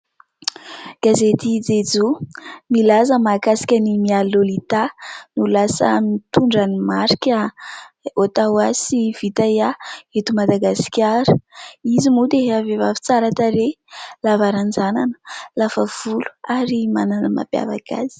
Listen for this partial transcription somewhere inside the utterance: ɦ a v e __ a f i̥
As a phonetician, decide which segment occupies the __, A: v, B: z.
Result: A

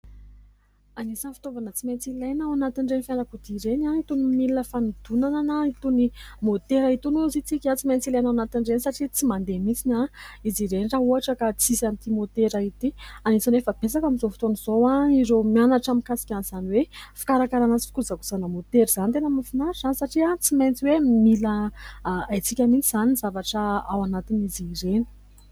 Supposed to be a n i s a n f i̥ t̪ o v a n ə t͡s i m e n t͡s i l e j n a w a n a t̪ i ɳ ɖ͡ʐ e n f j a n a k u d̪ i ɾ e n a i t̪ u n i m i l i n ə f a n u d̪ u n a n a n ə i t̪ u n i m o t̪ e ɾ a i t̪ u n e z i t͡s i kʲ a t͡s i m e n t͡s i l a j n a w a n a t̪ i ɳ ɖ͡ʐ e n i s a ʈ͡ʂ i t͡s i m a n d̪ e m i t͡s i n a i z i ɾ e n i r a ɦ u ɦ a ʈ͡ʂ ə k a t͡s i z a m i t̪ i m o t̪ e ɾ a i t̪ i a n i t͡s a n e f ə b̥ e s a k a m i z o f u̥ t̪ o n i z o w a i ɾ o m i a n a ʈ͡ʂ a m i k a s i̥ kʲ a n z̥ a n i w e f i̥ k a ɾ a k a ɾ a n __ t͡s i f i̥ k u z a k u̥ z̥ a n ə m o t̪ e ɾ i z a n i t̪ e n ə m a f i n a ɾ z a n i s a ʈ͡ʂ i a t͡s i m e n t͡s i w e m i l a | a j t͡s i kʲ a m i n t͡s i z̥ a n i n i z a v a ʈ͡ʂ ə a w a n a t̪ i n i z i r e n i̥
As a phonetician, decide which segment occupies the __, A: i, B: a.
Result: B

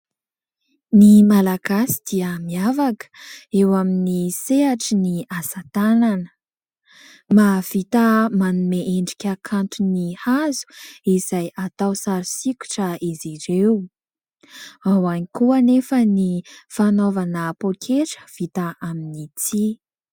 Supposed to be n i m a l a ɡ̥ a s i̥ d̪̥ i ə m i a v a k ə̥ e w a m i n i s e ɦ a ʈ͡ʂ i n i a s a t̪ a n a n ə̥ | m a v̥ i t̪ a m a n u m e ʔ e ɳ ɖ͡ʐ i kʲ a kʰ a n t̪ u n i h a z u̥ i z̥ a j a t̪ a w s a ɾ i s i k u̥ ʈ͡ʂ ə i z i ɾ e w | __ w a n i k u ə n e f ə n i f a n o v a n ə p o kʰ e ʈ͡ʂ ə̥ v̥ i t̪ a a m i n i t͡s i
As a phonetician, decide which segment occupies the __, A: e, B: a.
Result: B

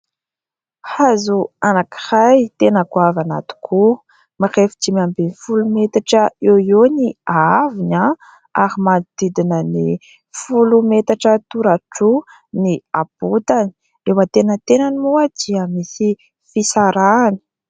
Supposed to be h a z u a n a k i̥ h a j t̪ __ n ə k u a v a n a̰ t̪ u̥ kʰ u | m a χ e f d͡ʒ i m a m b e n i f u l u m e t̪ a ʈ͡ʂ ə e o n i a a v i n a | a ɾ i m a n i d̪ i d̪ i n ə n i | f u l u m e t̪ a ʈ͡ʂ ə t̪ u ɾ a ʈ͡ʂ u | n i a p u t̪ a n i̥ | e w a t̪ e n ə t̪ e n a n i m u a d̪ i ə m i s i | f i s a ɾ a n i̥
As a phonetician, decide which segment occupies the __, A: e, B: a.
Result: A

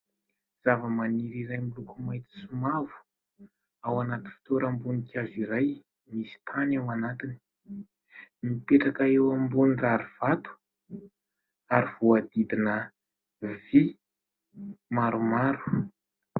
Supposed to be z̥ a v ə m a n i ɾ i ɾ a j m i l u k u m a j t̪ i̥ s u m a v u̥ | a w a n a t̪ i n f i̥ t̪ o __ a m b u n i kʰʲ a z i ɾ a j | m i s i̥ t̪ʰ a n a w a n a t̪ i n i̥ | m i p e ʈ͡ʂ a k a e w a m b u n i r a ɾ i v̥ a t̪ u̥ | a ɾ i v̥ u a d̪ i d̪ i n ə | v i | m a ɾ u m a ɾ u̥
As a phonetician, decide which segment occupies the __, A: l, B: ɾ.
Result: B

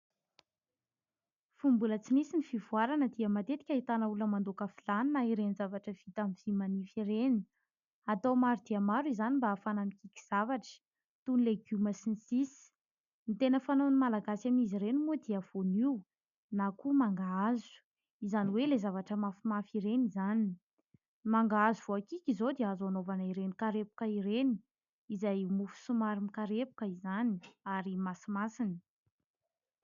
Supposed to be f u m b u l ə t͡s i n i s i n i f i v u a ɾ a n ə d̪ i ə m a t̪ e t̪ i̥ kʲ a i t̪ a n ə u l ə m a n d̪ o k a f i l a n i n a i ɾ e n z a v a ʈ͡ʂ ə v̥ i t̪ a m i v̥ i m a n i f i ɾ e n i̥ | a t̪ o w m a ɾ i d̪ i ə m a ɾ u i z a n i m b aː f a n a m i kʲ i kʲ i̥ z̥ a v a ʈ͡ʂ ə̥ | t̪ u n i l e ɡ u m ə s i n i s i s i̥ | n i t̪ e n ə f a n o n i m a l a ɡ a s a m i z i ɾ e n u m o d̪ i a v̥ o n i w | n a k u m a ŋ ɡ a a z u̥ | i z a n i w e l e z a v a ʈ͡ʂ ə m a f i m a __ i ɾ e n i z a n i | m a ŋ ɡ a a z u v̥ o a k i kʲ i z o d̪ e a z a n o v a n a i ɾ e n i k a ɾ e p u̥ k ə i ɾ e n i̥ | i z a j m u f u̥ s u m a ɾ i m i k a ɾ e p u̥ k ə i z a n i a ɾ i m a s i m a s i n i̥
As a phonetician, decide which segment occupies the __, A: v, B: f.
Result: B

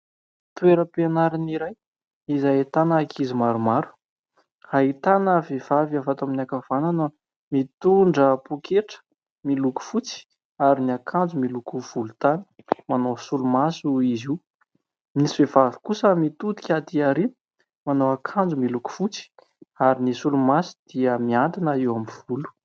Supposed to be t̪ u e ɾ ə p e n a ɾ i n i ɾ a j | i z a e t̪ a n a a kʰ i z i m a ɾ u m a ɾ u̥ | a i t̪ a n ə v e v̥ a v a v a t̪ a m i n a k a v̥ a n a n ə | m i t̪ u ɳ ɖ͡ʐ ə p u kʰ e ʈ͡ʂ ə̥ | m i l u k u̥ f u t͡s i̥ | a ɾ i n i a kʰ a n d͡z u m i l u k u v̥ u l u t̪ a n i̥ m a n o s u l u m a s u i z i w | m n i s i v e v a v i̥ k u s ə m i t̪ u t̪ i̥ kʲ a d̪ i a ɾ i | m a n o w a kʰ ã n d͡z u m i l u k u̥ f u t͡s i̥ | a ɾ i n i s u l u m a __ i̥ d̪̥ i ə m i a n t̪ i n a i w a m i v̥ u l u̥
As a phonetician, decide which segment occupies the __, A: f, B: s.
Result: B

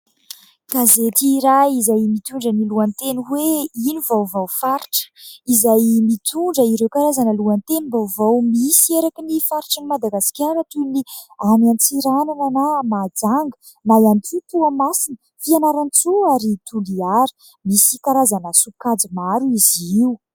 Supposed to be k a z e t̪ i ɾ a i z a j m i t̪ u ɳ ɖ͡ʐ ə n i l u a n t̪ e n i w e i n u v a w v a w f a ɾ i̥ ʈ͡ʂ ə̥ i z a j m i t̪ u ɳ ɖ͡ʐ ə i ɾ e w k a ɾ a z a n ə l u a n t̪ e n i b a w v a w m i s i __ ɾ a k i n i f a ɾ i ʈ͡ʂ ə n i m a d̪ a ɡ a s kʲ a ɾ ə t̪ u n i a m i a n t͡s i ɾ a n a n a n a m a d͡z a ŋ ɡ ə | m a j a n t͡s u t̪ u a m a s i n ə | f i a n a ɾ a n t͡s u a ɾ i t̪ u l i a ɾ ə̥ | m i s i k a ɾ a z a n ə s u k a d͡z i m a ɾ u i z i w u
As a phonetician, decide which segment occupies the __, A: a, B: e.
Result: B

